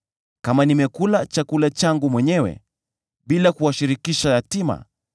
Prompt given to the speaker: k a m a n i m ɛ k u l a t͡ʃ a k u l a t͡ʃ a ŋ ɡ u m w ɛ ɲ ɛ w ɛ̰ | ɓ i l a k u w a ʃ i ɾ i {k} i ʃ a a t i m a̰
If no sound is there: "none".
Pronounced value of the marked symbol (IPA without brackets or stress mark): k